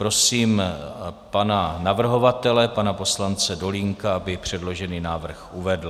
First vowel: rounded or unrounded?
rounded